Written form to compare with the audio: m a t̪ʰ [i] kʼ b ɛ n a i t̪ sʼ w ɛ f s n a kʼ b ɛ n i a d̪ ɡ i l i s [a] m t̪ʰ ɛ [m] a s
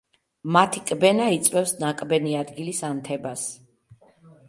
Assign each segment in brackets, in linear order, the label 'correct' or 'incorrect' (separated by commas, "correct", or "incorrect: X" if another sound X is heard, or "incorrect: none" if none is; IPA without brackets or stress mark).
correct, correct, incorrect: b